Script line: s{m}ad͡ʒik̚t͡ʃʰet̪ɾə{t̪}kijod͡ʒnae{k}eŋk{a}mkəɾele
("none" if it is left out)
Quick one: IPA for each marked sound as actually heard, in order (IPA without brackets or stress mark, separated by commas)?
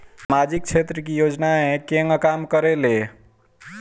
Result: m, none, k, a